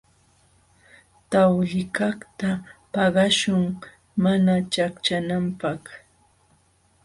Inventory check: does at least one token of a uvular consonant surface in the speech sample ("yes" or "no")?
yes